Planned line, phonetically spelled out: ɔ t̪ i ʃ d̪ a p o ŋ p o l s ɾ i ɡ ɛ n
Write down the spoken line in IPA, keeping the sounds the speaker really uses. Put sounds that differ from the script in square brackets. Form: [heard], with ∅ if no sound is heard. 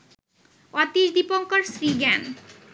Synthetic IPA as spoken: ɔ t̪ i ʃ d̪ [i] p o ŋ [k] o [ɾ] s ɾ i ɡ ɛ n